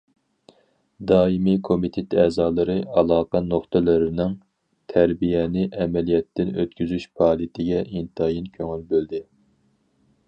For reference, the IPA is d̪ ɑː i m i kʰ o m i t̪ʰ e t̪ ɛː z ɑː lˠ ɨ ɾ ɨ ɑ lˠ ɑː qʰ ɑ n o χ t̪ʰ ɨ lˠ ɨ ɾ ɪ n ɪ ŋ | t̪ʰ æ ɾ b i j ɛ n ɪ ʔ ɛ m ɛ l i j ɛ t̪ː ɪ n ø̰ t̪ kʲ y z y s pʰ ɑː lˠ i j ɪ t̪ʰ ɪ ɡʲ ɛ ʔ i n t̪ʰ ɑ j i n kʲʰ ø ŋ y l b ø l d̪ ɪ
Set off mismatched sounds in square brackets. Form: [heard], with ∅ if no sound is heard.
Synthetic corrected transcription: d̪ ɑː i m i kʰ o m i t̪ʰ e t̪ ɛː z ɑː lˠ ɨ ɾ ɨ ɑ lˠ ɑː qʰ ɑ n o χ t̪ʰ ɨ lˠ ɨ ɾ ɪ n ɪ ŋ | t̪ʰ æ ɾ b i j ɛ n ɪ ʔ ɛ m ɛ l i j ɛ t̪ː ɪ n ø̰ t̪ kʲ y z y [ʃ] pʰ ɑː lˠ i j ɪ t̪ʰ ɪ ɡʲ ɛ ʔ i n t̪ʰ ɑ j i n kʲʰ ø ŋ y l b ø l d̪ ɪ